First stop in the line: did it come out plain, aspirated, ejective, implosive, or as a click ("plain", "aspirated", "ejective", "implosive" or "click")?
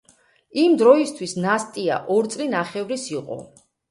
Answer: plain